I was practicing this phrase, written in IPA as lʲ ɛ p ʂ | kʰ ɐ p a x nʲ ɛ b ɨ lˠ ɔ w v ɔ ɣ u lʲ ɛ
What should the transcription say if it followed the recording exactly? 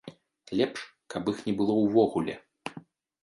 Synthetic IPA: lʲ ɛ p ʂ | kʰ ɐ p i x nʲ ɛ b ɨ lˠ ɔ w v ɔ ɣ u lʲ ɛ